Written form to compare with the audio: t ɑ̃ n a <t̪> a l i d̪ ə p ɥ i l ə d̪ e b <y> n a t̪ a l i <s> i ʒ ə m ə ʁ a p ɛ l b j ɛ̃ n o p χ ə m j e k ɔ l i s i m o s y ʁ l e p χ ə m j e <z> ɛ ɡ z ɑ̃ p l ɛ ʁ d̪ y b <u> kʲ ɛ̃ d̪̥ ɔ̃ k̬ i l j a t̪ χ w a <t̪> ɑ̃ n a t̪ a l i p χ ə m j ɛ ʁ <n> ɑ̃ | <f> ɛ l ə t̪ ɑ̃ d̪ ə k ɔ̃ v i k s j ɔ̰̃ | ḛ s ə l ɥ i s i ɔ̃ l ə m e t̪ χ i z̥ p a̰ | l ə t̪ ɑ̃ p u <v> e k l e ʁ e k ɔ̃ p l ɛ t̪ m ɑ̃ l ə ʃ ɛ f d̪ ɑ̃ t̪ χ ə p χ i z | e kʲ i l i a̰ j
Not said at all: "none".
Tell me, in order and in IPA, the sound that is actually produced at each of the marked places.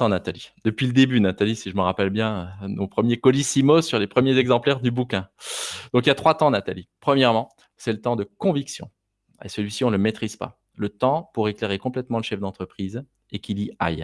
t̪, y, s, z, u, t̪, m, s, ʁ

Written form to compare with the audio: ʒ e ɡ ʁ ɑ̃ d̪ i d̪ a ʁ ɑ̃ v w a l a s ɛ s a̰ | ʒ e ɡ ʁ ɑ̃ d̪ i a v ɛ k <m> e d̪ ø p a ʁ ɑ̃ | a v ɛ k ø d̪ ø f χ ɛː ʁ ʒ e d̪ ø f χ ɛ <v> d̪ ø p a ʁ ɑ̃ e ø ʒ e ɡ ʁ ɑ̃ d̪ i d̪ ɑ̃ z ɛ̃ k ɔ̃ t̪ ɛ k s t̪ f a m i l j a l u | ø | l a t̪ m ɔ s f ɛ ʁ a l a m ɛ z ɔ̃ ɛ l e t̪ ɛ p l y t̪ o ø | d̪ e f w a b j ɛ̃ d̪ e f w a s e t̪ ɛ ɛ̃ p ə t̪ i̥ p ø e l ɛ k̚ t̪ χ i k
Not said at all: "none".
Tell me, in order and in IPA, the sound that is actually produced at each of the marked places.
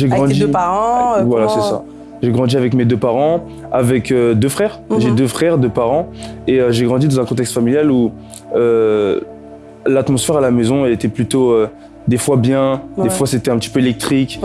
m, ʁ

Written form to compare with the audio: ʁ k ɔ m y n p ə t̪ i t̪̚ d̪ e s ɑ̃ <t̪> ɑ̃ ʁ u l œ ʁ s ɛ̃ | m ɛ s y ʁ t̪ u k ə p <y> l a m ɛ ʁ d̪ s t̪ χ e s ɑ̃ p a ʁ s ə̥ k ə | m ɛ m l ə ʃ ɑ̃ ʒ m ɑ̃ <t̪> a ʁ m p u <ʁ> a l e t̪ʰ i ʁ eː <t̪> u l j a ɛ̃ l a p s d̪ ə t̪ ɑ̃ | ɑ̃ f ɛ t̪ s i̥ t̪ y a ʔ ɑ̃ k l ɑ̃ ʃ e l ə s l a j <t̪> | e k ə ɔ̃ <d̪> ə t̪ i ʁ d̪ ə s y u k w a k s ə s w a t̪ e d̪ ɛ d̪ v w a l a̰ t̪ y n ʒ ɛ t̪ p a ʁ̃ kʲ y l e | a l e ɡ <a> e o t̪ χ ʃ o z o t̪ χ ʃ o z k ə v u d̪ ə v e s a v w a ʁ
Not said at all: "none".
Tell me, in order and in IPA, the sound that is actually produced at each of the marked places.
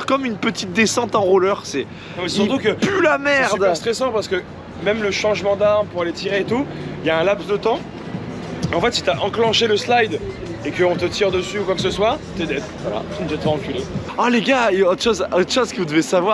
t̪, y, d̪, ʁ, t̪, d̪, t̪, a

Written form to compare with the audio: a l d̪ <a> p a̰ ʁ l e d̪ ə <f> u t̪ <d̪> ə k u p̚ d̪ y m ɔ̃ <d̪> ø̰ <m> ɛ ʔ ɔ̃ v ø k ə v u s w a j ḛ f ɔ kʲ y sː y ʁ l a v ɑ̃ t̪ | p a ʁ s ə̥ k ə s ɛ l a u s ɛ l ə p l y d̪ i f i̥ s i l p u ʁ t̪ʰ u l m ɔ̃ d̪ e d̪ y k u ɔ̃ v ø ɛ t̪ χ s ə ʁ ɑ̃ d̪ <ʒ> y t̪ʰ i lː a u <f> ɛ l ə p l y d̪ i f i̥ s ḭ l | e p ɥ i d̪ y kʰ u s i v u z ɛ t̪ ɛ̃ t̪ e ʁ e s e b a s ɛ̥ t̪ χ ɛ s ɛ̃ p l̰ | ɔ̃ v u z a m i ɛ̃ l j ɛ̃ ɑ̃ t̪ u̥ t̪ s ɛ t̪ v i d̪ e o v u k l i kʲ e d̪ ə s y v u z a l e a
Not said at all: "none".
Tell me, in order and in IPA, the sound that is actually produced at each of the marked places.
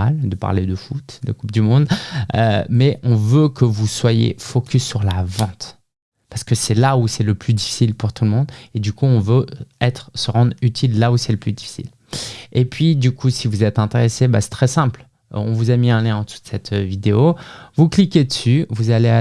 ə, f, d̪, d̪, m, ʁ, s

